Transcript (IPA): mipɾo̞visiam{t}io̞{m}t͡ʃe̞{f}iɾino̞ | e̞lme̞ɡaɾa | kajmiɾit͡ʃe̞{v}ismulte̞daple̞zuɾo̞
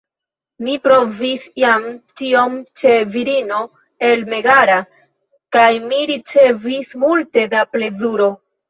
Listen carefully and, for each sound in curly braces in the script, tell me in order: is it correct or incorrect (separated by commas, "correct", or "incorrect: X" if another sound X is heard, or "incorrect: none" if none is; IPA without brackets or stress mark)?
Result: correct, correct, incorrect: v, correct